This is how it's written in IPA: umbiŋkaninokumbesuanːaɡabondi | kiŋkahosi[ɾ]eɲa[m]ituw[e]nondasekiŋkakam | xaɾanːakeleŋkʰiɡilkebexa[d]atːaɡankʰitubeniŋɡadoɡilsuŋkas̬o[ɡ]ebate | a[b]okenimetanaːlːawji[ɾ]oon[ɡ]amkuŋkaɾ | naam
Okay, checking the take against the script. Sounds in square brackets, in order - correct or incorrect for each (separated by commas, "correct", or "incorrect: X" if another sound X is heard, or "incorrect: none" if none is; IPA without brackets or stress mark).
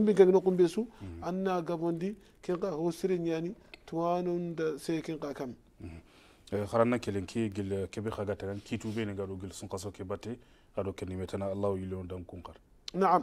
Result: correct, incorrect: n, incorrect: a, incorrect: ɡ, incorrect: k, incorrect: d, incorrect: l, incorrect: d